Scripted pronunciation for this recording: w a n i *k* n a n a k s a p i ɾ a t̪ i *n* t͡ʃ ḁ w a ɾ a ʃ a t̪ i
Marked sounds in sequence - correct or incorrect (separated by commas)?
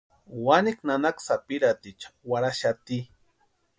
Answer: correct, incorrect